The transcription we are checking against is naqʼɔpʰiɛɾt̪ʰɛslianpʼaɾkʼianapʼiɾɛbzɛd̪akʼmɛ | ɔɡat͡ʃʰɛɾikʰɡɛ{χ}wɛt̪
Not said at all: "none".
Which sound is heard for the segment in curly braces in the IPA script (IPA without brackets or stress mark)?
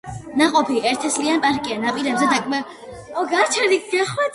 χ